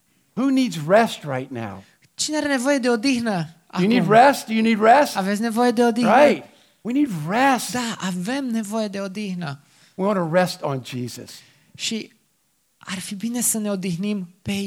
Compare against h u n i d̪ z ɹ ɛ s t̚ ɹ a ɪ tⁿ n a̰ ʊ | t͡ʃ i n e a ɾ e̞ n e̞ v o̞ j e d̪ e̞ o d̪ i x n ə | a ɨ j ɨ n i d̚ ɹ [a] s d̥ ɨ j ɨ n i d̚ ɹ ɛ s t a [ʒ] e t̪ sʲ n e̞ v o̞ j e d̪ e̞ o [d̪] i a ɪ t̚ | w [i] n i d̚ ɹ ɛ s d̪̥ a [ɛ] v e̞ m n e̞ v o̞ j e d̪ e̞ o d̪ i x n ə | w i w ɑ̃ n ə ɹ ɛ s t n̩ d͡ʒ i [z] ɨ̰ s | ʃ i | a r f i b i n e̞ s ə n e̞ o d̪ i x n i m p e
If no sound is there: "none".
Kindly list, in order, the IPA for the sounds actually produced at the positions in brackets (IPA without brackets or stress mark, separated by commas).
ɛ, v, d̪, i, a, z